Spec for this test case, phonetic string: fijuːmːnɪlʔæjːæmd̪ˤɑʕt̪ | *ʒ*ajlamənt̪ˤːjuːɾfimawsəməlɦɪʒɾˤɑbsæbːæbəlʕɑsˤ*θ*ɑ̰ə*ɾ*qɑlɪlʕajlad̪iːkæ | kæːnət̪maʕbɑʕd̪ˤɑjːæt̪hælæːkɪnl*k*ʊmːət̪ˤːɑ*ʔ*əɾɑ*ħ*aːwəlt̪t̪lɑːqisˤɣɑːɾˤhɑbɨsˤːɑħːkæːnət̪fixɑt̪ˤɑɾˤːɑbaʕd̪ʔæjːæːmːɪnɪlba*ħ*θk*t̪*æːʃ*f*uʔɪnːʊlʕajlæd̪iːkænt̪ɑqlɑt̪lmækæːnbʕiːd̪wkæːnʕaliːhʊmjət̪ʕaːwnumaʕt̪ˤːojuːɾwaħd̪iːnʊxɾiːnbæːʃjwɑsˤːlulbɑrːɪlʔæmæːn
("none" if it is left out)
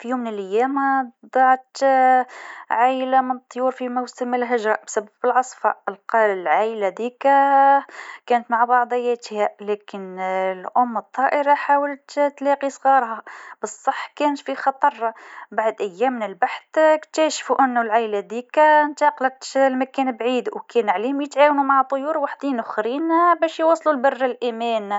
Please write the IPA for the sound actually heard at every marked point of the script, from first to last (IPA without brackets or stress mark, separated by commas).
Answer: ʕ, f, l, ʔ, ʔ, ħ, ħ, t̪, f